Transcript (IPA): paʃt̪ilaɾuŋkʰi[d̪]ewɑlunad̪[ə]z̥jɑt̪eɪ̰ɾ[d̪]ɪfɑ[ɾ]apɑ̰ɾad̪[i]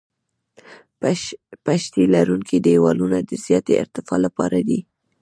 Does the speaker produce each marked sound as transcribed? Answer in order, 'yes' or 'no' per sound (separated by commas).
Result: yes, yes, no, no, yes